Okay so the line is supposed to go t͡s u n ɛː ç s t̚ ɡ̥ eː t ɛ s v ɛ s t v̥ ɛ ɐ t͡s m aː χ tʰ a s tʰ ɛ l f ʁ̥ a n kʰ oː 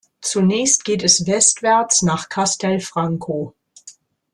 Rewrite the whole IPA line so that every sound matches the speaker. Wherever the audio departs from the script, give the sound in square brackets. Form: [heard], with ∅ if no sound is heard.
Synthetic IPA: t͡s u n ɛː ç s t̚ ɡ̥ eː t ɛ s v ɛ s t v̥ ɛ ɐ t͡s [n] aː χ [kʰ] a s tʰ ɛ l f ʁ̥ a [ŋ] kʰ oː